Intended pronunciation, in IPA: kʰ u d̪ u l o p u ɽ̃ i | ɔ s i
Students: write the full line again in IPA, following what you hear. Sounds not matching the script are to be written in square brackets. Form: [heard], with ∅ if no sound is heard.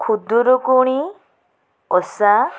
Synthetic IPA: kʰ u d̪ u [ɾ] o [k] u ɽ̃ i | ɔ s [a]